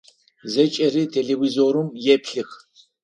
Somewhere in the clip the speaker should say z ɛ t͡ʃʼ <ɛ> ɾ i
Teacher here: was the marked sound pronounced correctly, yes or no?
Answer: yes